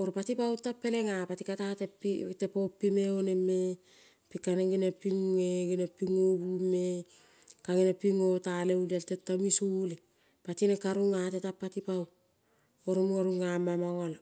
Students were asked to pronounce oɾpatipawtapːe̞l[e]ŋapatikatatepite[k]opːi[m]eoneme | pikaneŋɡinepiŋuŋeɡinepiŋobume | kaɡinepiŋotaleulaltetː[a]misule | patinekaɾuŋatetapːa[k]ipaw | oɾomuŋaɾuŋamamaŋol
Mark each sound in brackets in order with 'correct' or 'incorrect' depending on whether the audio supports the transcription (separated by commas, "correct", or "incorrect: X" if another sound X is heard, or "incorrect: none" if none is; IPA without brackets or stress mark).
correct, incorrect: p, correct, correct, incorrect: t